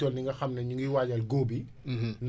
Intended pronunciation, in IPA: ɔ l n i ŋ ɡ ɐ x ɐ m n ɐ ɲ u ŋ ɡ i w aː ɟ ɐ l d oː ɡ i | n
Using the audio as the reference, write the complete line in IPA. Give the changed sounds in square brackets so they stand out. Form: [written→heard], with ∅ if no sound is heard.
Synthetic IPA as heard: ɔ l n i ŋ ɡ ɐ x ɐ m n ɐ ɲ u ŋ ɡ i w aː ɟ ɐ l [d→ɡ] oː [ɡ→b] i | n